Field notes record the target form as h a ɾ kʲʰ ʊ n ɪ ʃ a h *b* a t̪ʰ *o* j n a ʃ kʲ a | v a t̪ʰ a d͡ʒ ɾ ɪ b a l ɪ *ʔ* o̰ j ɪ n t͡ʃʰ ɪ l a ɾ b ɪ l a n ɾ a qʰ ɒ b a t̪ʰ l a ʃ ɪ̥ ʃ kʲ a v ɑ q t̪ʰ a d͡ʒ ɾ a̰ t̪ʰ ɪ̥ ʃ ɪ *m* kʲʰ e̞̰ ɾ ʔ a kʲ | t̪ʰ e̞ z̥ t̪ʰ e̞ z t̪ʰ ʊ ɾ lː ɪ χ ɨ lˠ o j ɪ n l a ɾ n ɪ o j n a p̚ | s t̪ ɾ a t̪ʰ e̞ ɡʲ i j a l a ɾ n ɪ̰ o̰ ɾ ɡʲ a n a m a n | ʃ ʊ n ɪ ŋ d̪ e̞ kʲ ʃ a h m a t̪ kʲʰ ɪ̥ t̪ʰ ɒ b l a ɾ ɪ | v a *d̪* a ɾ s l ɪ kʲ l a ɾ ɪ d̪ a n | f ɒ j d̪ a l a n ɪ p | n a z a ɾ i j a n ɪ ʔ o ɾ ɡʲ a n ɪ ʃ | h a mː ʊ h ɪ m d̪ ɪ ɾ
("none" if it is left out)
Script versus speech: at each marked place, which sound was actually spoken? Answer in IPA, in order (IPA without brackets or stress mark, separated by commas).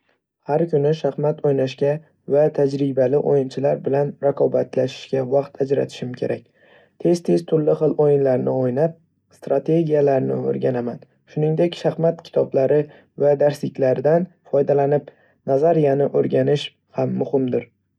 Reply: m, o, ʔ, m, d̪